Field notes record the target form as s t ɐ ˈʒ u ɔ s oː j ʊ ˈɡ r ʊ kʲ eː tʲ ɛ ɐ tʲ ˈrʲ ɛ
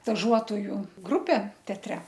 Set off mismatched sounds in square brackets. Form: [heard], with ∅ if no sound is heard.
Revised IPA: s t ɐ ˈʒ u ɔ [t] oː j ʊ ˈɡ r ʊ [pʲ] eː tʲ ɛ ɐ tʲ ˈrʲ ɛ